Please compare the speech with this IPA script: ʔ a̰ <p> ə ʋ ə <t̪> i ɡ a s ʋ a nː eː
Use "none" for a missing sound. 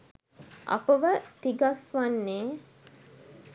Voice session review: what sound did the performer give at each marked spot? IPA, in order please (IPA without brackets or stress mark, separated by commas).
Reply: p, t̪